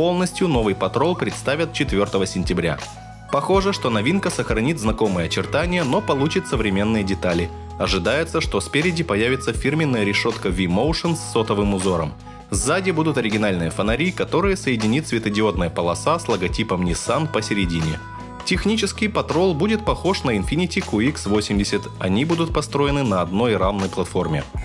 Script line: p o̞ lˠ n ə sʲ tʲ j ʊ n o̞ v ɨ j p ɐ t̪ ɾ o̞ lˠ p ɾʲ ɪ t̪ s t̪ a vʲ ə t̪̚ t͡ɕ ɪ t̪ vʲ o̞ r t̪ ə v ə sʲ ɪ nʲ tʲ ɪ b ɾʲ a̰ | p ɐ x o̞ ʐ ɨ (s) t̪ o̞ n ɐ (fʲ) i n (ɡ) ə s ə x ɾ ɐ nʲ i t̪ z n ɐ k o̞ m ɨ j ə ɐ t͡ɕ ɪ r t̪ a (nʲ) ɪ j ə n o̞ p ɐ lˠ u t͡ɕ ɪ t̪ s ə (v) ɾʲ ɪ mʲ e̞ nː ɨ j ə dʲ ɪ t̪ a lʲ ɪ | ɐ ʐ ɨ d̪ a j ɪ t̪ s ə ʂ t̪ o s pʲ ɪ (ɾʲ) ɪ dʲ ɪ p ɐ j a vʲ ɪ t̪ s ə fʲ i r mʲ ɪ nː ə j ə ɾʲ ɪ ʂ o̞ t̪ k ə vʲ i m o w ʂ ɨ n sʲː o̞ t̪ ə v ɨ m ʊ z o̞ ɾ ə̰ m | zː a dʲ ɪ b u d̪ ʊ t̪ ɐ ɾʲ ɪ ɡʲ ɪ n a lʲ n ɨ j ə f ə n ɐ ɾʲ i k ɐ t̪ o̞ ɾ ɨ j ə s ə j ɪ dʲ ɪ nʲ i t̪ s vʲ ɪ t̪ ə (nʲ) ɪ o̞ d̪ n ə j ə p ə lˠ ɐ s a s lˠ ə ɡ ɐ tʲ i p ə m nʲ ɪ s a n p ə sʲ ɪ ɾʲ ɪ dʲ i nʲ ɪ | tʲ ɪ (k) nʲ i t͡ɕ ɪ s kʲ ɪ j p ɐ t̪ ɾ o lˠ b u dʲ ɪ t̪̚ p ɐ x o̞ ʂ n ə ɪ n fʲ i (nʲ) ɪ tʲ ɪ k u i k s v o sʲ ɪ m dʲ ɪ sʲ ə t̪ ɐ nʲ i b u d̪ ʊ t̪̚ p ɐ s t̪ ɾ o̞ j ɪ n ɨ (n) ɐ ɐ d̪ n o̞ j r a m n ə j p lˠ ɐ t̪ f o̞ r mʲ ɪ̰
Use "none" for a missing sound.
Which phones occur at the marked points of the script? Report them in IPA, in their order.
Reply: ʂ, vʲ, k, nʲ, v, ɾʲ, dʲ, x, nʲ, n

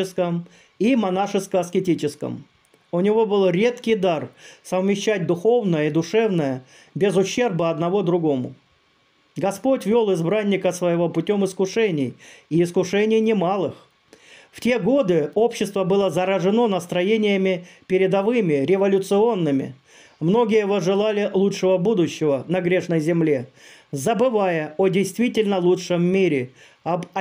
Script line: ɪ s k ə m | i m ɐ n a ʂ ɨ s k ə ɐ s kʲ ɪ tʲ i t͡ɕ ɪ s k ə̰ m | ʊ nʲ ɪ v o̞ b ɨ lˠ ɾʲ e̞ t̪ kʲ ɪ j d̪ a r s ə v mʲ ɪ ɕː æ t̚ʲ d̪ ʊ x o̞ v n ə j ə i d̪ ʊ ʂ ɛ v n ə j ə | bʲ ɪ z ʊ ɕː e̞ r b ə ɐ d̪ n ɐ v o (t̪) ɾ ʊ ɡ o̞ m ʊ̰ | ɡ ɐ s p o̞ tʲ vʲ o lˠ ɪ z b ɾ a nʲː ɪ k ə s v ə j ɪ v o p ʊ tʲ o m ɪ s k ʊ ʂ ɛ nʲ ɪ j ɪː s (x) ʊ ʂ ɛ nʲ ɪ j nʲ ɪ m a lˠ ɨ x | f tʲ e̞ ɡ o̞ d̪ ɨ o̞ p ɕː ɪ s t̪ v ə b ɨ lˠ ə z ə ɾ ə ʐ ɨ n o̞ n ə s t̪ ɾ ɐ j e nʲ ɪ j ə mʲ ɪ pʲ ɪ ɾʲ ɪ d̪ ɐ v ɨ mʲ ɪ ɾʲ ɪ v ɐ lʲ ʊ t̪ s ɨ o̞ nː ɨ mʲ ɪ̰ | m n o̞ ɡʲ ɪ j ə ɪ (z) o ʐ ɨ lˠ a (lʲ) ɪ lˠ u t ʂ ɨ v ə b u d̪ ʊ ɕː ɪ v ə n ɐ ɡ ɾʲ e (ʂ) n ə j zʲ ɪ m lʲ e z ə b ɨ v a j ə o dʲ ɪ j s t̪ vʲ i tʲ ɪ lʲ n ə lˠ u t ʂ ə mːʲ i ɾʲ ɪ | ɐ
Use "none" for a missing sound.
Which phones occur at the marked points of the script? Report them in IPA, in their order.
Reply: d̪, k, v, lʲ, ʂ

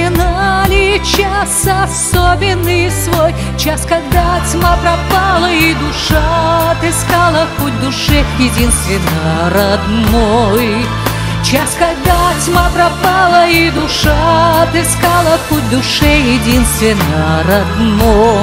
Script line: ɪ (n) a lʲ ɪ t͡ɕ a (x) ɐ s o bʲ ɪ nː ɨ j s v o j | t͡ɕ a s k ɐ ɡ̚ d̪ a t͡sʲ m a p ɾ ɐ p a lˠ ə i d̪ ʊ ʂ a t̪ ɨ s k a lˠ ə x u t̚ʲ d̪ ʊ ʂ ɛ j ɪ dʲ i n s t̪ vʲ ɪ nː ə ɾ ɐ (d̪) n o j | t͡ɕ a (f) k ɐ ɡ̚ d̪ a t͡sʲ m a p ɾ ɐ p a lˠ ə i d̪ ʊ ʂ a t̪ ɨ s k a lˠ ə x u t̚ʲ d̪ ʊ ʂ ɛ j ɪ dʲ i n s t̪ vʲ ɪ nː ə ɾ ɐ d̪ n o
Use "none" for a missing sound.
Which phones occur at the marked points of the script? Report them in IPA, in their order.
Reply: n, s, d̪, s

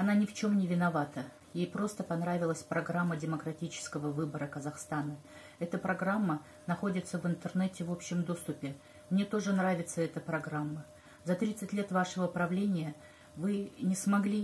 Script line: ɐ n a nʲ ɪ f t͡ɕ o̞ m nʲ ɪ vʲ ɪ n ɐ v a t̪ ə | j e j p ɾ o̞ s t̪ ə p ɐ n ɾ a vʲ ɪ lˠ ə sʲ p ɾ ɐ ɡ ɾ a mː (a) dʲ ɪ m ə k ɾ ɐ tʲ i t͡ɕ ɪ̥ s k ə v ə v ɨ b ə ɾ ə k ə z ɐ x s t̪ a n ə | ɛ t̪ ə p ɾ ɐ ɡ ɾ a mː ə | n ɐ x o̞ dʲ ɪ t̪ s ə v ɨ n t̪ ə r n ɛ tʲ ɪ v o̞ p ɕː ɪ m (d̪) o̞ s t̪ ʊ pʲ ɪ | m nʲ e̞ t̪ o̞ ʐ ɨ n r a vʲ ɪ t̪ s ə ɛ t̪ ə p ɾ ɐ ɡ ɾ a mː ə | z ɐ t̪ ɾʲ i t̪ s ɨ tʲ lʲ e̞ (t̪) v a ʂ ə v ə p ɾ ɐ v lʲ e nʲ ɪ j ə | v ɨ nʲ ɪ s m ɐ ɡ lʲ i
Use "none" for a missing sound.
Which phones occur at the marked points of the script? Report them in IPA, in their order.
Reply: ə, d̪, t̪

